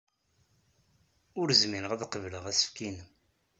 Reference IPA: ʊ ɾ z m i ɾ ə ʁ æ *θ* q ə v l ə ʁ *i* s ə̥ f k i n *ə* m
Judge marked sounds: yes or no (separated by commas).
no, no, yes